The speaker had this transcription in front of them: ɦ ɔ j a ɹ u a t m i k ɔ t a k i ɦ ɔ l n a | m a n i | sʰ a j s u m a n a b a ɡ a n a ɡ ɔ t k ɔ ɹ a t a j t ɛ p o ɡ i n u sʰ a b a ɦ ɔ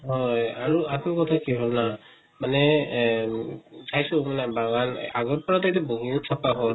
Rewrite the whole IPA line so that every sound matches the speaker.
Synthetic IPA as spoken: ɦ ɔ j a ɹ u a t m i k ɔ tʰ a k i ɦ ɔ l n a | m a n ɛ | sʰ a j s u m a n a b a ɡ a n a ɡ ɔ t p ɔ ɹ a t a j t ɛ b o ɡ i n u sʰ a p a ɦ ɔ